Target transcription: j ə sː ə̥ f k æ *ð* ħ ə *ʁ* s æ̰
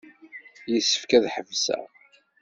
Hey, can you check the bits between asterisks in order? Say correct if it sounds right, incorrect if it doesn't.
correct, incorrect

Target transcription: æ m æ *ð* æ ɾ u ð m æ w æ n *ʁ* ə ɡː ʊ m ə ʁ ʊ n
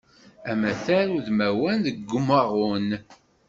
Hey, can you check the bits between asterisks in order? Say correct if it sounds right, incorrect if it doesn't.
incorrect, incorrect

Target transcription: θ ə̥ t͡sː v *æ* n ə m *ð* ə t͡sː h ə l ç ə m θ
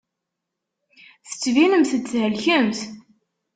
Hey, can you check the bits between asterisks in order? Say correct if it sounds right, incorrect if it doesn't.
incorrect, incorrect

